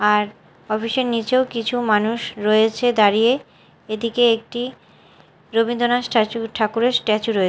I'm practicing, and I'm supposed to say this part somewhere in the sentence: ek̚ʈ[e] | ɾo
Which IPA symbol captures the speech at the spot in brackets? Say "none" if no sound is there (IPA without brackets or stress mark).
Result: i